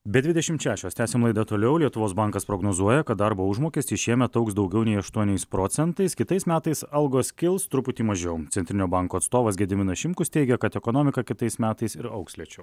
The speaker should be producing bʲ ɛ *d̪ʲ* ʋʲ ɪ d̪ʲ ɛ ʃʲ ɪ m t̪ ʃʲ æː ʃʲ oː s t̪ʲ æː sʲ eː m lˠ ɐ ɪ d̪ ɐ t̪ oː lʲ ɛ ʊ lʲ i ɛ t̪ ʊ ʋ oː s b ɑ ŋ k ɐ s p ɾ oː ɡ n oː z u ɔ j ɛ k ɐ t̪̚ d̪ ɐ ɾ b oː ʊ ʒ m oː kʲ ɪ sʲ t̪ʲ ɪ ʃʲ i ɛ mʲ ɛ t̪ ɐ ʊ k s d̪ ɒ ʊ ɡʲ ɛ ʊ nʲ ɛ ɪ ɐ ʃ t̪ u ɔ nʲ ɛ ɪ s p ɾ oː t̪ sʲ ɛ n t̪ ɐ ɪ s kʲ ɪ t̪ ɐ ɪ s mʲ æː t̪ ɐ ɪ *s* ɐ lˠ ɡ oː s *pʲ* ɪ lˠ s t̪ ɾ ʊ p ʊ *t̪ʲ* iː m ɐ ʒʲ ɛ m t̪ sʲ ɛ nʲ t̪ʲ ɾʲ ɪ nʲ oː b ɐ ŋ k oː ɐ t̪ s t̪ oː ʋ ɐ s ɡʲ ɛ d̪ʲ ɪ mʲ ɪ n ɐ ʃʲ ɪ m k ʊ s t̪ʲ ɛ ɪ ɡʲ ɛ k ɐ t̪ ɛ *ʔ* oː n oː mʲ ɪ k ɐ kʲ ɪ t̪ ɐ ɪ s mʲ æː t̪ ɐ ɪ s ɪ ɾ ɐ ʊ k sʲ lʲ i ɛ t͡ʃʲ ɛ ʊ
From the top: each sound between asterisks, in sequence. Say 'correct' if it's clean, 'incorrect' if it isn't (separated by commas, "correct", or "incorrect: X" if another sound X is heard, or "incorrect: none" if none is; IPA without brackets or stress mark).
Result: correct, correct, incorrect: kʲ, correct, incorrect: k